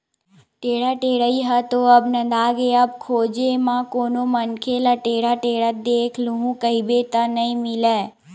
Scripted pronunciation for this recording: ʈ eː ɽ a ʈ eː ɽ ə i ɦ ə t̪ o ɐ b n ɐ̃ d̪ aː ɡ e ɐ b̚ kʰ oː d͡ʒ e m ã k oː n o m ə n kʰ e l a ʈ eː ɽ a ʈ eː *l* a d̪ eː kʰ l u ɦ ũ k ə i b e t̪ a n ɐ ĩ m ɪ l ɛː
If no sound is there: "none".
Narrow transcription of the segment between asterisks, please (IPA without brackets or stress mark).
ɽ